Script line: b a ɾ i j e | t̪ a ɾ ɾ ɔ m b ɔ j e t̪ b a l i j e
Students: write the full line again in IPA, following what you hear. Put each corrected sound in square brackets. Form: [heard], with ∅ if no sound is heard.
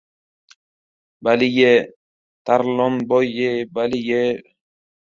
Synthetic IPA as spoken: b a [l] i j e | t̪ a ɾ [l] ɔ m b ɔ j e [∅] b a l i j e